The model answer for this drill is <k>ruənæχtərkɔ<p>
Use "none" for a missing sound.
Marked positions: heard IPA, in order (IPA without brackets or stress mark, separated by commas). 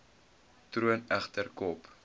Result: t, p